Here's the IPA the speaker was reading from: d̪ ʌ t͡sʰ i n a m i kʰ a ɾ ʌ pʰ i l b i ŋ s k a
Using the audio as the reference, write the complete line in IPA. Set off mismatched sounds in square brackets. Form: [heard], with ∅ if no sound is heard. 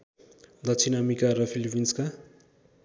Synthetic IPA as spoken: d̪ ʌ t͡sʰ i n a m i [k] a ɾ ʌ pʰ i l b i [n] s k a